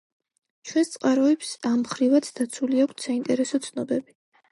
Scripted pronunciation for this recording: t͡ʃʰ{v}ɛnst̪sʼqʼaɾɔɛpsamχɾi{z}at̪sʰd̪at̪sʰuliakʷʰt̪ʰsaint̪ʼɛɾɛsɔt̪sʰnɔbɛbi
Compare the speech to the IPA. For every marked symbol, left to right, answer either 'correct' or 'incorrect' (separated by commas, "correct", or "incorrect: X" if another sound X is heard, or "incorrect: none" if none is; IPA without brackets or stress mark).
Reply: incorrect: w, incorrect: v